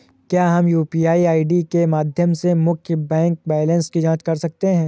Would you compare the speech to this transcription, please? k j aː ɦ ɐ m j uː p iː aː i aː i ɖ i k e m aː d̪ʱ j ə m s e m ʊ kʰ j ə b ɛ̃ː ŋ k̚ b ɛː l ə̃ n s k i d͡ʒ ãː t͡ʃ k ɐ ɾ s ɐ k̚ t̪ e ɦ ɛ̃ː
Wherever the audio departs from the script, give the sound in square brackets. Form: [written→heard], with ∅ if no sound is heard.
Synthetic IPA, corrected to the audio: k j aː ɦ ɐ m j uː p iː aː i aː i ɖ i k e m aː d̪ʱ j ə m s e m ʊ kʰ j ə b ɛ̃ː ŋ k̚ b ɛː l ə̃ n s k i d͡ʒ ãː t͡ʃ k ɐ ɾ s ɐ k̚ t̪ e ɦ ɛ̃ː